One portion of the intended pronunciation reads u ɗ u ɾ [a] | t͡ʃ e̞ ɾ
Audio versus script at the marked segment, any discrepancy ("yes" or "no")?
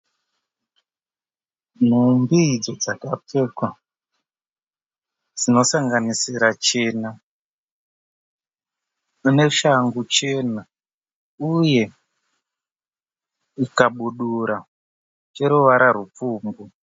no